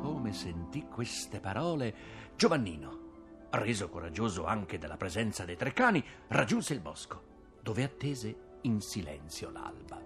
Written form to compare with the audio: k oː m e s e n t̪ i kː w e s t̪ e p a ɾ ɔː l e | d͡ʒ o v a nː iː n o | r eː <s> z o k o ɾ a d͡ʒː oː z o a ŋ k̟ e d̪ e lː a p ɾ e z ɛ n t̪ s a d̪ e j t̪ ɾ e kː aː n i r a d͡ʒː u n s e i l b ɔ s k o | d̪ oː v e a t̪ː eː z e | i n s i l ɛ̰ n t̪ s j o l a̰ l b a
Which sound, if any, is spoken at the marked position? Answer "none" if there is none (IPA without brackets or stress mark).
none